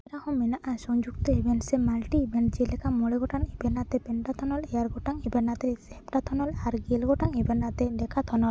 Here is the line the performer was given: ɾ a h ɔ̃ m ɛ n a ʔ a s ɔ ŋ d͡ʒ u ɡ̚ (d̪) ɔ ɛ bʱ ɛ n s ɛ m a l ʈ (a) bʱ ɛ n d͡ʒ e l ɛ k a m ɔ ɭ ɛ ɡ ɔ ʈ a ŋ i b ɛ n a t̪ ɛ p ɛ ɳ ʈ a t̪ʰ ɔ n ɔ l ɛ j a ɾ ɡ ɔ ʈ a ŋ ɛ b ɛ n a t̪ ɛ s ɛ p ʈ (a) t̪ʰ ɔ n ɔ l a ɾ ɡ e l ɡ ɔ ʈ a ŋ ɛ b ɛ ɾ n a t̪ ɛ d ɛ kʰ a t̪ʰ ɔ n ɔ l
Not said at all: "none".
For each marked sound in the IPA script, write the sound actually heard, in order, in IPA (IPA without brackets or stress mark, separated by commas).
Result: t̪, i, a